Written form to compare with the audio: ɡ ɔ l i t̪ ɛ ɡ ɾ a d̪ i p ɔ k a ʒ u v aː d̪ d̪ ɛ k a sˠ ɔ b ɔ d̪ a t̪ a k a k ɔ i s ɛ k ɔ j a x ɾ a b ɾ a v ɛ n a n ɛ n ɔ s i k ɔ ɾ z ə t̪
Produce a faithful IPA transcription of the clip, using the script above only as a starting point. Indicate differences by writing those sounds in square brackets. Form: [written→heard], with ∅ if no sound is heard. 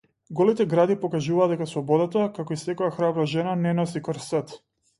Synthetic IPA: ɡ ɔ l i t̪ ɛ ɡ ɾ a d̪ i p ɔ k a ʒ u v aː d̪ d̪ ɛ k a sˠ ɔ b ɔ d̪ a t̪ a k a k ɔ i s ɛ k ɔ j a x ɾ a b ɾ a [v→ʒ] ɛ n a n ɛ n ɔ s i k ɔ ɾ [z→s] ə t̪

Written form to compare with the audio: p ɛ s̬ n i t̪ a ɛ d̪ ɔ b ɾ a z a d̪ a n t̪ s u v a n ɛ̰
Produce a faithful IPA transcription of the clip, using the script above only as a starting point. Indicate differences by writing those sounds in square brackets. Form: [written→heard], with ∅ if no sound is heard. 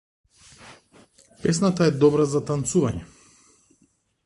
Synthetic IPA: p ɛ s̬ n [i→a] t̪ a ɛ d̪ ɔ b ɾ a z a [d̪→t̪] a n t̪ s u v a [n→ɲ] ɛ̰

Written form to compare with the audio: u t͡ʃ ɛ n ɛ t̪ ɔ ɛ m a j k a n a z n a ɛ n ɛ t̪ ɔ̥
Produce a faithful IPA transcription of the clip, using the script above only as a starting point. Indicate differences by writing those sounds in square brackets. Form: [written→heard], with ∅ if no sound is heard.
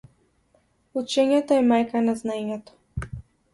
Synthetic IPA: u t͡ʃ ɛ [n→ɲ] ɛ t̪ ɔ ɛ m a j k a n a z n a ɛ [n→ɲ] ɛ t̪ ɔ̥

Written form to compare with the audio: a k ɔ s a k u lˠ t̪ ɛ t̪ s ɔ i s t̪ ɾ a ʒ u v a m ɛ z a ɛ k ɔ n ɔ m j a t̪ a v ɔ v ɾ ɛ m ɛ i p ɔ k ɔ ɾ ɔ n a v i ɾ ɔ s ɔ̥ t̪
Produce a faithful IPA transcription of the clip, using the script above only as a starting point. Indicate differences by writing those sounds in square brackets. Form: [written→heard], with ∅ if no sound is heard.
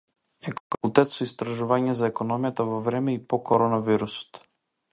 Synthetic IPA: [a→ɛ] k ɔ [s→f] a k u lˠ t̪ ɛ t̪ s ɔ i s t̪ ɾ a ʒ u v a [m→ɲ] ɛ z a ɛ k ɔ n ɔ m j a t̪ a v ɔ v ɾ ɛ m ɛ i p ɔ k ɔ ɾ ɔ n a v i ɾ [ɔ→u] s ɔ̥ t̪

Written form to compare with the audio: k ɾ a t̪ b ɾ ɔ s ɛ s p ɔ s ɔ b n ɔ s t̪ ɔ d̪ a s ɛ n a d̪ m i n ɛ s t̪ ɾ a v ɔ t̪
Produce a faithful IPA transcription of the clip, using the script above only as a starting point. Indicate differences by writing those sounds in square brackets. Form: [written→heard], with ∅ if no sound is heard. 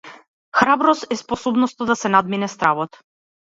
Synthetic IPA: [k→x] ɾ a [t̪→∅] b ɾ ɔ s ɛ s p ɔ s ɔ b n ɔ s t̪ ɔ d̪ a s ɛ n a d̪ m i n ɛ s t̪ ɾ a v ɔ t̪

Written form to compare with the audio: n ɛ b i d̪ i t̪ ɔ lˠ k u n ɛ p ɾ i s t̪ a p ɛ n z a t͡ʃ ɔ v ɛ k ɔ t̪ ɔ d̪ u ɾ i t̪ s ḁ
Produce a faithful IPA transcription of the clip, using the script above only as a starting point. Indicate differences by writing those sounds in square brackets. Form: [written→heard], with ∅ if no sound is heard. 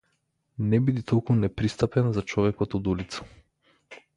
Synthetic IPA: n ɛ b i d̪ i t̪ ɔ lˠ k u n ɛ p ɾ i s t̪ a p ɛ n z a t͡ʃ ɔ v ɛ k ɔ t̪ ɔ d̪ u [ɾ→l] i t̪ s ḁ

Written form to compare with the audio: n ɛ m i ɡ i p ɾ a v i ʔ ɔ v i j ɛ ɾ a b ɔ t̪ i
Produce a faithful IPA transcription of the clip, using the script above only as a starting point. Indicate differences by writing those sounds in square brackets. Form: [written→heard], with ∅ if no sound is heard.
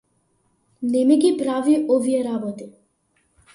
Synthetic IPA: n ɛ m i ɡ i p ɾ a v i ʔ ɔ v i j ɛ ɾ a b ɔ t̪ i

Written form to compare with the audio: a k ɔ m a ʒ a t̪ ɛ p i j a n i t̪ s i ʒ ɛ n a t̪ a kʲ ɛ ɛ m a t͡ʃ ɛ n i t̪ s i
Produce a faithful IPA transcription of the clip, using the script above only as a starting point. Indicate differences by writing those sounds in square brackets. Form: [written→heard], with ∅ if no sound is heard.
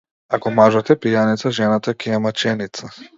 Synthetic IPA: a k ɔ m a ʒ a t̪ ɛ p i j a n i t̪ s [i→a] ʒ ɛ n a t̪ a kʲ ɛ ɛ m a t͡ʃ ɛ n i t̪ s [i→a]

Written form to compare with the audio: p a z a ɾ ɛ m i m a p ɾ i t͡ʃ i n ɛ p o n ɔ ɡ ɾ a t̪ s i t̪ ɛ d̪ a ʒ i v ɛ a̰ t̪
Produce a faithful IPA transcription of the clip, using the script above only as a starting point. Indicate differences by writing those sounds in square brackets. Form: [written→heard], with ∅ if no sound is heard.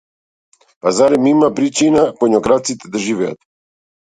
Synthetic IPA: p a z a ɾ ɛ m i m a p ɾ i t͡ʃ i n [ɛ→a] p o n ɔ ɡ ɾ a t̪ s i t̪ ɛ d̪ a ʒ i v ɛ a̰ t̪

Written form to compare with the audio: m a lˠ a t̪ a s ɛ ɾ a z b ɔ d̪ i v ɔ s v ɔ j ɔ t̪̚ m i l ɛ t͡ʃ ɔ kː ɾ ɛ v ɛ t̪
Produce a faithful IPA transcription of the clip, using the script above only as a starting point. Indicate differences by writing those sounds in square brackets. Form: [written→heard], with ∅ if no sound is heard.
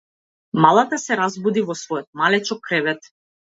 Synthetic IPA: m a lˠ a t̪ a s ɛ ɾ a z b [ɔ→u] d̪ i v ɔ s v ɔ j ɔ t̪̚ m [i→a] l ɛ t͡ʃ ɔ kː ɾ ɛ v ɛ t̪

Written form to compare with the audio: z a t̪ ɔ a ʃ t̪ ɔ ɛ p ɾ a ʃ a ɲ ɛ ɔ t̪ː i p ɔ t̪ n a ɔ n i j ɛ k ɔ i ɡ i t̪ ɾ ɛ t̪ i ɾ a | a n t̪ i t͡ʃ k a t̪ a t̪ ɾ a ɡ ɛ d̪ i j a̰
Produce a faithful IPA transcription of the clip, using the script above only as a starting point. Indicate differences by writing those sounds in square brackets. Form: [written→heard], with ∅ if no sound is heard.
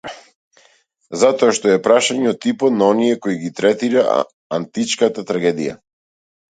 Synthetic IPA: z a t̪ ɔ a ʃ t̪ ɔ ɛ p ɾ a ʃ a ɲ ɛ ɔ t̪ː i p ɔ t̪ n a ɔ n i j ɛ k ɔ i ɡ i t̪ ɾ ɛ t̪ i ɾ a | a n t̪ i t͡ʃ k a t̪ a t̪ ɾ a ɡ ɛ d̪ i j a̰

